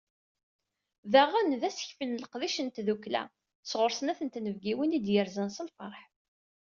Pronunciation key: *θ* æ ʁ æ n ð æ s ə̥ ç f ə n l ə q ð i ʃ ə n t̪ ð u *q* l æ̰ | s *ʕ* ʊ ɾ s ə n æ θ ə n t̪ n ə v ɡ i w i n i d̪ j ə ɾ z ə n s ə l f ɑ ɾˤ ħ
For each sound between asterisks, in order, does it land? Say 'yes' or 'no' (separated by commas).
no, no, no